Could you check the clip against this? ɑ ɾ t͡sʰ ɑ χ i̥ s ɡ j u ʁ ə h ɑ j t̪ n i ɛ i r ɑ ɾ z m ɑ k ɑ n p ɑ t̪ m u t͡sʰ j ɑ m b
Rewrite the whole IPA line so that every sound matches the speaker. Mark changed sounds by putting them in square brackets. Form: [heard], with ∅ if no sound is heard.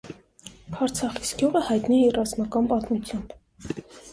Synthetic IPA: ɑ ɾ t͡sʰ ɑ χ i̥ s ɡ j u ʁ ə h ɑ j t̪ n i ɛ i r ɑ [∅] z m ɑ k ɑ n p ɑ t̪ m u t͡sʰ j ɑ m b

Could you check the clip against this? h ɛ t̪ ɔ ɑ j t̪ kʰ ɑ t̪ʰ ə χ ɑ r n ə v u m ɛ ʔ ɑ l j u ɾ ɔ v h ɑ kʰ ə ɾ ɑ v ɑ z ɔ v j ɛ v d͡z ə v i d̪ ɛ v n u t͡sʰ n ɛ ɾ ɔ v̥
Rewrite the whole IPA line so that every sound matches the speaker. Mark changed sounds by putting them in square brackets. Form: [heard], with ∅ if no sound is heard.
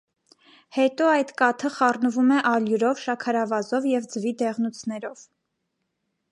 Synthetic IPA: h ɛ t̪ ɔ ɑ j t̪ [k] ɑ t̪ʰ ə χ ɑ r n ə v u m ɛ ʔ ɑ l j u ɾ ɔ v [ʃ] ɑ kʰ [ɑ] ɾ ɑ v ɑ z ɔ v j ɛ v d͡z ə v i d̪ ɛ [ʁ] n u t͡sʰ n ɛ ɾ ɔ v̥

